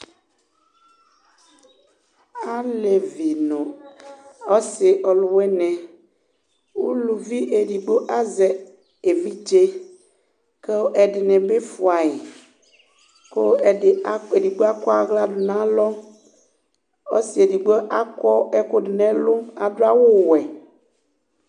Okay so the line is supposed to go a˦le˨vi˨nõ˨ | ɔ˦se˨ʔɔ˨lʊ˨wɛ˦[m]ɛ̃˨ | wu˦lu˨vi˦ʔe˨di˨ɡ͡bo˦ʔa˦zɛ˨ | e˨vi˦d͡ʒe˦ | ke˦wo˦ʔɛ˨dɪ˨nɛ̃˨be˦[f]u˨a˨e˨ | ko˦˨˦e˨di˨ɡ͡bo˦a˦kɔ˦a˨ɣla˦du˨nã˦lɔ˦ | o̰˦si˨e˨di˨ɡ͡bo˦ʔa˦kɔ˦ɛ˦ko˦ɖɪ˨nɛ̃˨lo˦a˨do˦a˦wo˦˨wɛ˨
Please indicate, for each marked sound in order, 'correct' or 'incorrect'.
incorrect, correct

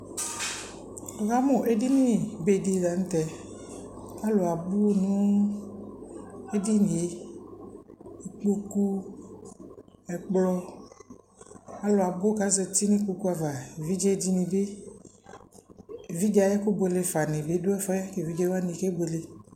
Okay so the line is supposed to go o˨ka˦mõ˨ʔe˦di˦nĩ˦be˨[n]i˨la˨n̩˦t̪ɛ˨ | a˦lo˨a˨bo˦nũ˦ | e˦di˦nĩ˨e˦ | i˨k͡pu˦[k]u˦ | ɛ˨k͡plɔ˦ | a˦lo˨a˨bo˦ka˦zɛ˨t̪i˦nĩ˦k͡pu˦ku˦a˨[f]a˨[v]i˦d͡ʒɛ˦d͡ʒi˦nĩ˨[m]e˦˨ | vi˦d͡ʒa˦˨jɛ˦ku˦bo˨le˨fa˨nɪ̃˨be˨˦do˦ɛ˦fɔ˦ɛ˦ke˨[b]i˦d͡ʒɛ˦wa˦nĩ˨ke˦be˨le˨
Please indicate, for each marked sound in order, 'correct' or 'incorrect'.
incorrect, correct, incorrect, correct, incorrect, incorrect

